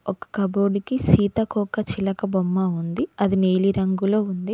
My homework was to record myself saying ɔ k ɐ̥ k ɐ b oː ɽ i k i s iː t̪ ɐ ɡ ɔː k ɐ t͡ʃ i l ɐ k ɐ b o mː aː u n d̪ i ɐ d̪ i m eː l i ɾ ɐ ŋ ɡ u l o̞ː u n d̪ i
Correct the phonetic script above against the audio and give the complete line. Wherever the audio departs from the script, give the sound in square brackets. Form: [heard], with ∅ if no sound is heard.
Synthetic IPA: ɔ k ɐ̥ k ɐ b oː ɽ i k i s iː t̪ ɐ [k] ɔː k ɐ t͡ʃ i l ɐ k ɐ b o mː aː u n d̪ i ɐ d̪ i [n] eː l i ɾ ɐ ŋ ɡ u l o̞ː u n d̪ i